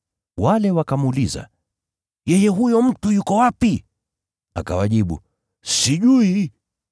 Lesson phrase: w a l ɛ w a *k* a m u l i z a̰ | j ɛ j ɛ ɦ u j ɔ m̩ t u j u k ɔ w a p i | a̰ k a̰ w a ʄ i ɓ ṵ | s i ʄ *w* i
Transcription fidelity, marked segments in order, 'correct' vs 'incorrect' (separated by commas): correct, incorrect